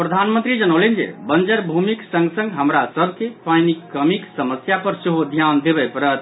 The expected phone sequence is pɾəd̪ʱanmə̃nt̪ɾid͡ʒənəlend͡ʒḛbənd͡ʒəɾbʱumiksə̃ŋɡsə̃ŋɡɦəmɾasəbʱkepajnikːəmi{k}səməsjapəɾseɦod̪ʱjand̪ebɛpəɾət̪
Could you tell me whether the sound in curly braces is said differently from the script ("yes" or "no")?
no